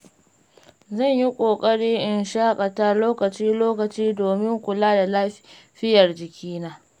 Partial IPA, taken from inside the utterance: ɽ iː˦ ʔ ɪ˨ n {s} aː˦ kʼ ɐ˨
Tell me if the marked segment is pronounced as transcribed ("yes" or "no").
no